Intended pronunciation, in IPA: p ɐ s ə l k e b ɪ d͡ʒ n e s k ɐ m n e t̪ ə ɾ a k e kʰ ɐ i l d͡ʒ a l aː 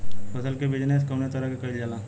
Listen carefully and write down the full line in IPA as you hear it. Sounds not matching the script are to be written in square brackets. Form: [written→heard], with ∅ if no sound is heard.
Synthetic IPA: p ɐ s ə l k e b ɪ d͡ʒ n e s k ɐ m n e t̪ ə ɾ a k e [kʰ→k] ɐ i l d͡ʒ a l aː